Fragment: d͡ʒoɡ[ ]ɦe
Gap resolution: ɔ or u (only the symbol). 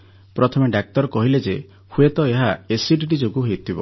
u